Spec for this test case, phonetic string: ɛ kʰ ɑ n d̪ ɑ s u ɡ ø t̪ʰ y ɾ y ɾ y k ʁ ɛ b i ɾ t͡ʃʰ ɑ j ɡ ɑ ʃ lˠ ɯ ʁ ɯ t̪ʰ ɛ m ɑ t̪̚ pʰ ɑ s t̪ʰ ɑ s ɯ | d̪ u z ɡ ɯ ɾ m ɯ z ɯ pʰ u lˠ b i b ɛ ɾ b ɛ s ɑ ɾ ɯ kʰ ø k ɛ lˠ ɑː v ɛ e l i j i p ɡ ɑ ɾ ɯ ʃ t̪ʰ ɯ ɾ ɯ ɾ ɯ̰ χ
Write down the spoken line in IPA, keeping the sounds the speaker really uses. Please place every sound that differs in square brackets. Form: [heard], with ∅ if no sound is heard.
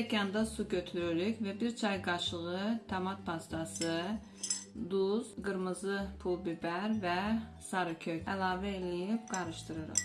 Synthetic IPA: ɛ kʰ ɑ n d̪ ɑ s u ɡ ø t̪ʰ y ɾ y ɾ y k [v] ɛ b i ɾ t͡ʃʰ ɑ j ɡ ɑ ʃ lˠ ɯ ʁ ɯ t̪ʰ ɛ m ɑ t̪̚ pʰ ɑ s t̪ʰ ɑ s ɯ | d̪ u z ɡ ɯ ɾ m ɯ z ɯ pʰ u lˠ b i b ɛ ɾ [v] ɛ s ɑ ɾ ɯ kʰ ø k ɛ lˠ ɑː v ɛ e l i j i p ɡ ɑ ɾ ɯ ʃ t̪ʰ ɯ ɾ ɯ ɾ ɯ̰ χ